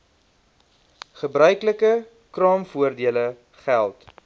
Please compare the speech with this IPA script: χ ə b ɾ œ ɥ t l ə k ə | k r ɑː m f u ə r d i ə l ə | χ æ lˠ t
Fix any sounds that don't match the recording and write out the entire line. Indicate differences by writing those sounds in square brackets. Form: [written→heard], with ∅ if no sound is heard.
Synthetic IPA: χ ə b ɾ œ ɥ [t→k] l ə k ə | k r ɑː m f u ə r d i ə l ə | χ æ lˠ t